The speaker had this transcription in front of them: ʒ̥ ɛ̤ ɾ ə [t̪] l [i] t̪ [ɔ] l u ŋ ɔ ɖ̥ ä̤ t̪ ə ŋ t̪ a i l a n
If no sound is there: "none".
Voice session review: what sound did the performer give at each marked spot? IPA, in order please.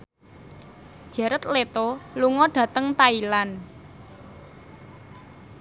t̪, e, o

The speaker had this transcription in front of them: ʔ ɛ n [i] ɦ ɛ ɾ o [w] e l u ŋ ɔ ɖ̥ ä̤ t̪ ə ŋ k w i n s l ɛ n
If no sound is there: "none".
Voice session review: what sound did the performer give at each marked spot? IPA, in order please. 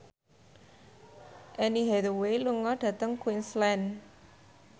i, w

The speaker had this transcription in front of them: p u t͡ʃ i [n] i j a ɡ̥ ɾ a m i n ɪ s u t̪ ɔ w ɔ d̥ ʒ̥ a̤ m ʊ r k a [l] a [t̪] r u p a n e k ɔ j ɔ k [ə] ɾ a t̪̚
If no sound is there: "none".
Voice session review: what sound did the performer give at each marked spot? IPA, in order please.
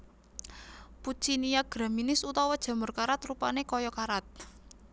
n, ɾ, t̪, a

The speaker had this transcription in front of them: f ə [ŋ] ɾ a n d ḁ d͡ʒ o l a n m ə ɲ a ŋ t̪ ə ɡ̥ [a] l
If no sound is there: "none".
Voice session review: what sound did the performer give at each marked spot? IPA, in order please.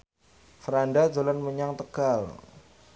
none, a

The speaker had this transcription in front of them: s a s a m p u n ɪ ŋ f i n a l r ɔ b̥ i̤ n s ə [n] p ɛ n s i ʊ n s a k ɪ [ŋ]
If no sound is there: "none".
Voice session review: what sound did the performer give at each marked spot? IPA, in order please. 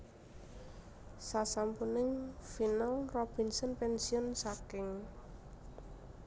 n, ŋ

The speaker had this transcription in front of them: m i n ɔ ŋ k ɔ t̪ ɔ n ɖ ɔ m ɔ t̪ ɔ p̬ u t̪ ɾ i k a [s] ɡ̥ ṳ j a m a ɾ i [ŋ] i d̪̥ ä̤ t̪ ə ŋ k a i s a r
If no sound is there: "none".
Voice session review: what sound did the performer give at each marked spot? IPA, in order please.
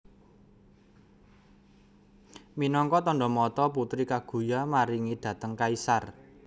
none, ŋ

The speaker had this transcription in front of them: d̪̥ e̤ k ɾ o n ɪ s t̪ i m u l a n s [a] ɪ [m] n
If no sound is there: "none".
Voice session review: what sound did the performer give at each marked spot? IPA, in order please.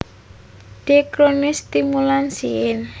i, none

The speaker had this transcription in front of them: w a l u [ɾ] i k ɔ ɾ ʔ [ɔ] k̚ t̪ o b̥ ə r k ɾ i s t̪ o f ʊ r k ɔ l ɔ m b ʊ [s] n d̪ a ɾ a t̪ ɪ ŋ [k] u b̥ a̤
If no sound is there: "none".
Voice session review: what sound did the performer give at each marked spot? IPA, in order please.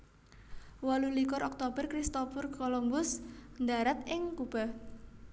l, ɔ, s, k

